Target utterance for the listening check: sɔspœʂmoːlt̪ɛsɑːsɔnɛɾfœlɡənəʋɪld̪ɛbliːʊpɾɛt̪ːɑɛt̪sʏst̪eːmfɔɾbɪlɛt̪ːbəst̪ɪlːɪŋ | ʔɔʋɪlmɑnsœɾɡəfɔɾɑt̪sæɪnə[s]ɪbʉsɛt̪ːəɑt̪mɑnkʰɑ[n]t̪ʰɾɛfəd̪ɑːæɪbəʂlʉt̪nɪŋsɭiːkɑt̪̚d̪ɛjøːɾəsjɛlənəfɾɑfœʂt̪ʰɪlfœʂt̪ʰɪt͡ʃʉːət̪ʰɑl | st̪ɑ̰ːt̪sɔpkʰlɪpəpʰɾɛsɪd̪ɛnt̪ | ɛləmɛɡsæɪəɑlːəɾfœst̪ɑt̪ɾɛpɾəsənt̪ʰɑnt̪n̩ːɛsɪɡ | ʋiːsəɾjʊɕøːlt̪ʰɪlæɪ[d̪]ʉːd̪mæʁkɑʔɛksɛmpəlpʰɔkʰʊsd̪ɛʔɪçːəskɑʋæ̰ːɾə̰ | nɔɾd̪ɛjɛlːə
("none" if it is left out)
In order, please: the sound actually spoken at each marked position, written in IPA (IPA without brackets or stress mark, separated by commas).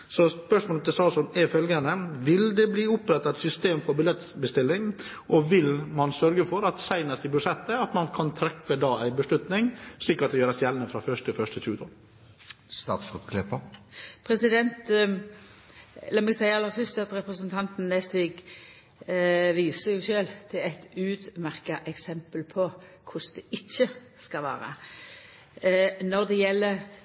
s, n, t̪